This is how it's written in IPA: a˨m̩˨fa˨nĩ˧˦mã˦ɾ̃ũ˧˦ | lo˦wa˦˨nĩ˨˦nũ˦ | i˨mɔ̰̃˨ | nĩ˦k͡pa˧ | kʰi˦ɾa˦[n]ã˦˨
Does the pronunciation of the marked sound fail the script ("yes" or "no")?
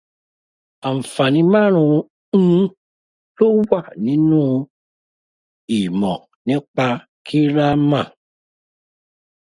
yes